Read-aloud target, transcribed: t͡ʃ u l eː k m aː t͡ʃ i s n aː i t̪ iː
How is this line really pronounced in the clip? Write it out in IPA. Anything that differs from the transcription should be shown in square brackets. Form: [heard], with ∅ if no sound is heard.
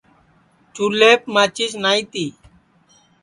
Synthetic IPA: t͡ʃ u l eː [p] m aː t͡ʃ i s n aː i t̪ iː

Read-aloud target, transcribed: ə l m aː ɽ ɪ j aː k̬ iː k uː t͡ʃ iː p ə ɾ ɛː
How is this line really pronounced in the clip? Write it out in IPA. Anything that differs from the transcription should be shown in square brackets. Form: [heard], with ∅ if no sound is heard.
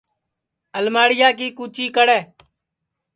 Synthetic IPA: ə l m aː ɽ ɪ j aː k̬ iː k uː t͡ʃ iː [k] ə [ɽ] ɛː

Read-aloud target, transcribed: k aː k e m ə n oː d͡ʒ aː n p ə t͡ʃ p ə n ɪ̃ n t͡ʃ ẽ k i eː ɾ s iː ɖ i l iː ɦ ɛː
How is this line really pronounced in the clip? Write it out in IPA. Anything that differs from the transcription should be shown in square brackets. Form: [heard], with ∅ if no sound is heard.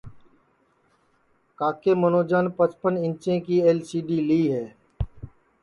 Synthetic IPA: k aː k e m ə n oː d͡ʒ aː n p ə t͡ʃ p ə n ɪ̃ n t͡ʃ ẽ k i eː [l] s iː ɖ i l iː ɦ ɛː

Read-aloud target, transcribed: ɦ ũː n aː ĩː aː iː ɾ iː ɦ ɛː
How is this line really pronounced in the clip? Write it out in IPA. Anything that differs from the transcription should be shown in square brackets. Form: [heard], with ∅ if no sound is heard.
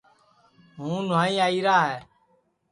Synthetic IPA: ɦ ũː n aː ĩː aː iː ɾ [aː] ɦ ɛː

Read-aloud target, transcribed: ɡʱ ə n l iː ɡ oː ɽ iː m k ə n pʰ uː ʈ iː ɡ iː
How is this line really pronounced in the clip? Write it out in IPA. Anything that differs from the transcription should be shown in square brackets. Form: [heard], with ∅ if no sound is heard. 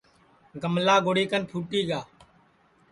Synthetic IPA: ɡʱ ə [m] l [aː] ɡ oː ɽ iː [∅] k ə n pʰ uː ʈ iː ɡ [aː]

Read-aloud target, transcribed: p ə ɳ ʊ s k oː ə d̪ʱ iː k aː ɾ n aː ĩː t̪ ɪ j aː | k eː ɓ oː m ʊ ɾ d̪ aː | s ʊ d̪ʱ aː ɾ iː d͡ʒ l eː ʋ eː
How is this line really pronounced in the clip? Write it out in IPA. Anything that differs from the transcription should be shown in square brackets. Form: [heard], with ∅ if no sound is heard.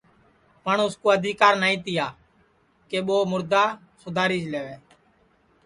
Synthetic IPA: p ə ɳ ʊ s k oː ə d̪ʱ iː k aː ɾ n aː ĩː t̪ ɪ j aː | k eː ɓ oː m ʊ ɾ d̪ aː | s ʊ d̪ʱ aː ɾ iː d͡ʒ l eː ʋ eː

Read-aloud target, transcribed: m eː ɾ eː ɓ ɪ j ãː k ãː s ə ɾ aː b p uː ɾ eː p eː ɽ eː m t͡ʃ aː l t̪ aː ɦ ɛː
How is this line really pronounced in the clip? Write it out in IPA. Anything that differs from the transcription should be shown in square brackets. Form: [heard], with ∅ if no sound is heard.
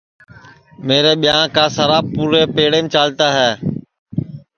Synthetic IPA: m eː ɾ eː ɓ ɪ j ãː k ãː s ə ɾ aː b p uː ɾ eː p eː ɽ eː m t͡ʃ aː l t̪ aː ɦ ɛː

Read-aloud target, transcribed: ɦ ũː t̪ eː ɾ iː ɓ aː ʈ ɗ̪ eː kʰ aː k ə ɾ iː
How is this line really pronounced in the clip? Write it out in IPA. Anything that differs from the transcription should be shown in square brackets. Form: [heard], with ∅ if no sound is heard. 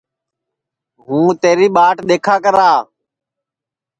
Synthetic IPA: ɦ ũː t̪ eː ɾ iː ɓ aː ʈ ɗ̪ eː kʰ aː k ə ɾ [aː]

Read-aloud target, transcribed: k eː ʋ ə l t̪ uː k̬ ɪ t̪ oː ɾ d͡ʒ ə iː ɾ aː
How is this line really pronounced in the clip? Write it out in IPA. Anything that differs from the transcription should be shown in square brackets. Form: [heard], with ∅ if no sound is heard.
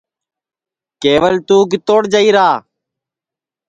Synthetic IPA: k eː ʋ ə l t̪ uː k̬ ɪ t̪ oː [ɽ] d͡ʒ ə iː ɾ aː

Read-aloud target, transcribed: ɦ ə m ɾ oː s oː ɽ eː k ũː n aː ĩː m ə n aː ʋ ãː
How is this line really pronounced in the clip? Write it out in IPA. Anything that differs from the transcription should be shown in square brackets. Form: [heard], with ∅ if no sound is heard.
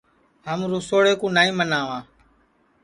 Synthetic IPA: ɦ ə m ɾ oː s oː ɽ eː k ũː n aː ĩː m ə n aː ʋ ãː

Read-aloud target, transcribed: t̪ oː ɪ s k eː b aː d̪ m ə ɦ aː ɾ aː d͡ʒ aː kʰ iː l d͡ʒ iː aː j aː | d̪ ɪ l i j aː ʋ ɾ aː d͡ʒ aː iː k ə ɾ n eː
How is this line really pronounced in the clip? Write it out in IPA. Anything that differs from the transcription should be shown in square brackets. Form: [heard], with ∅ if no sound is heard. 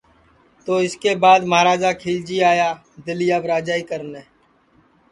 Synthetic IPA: t̪ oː ɪ s k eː b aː d̪ m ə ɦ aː ɾ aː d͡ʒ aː kʰ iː l d͡ʒ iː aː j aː | d̪ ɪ l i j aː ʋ ɾ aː d͡ʒ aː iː k ə ɾ n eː

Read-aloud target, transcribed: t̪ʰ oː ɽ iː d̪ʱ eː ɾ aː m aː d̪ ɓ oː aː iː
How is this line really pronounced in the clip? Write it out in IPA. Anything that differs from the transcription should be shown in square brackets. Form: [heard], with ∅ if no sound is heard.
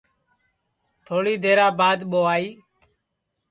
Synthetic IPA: t̪ʰ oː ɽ iː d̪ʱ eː ɾ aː [b] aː d̪ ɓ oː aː iː

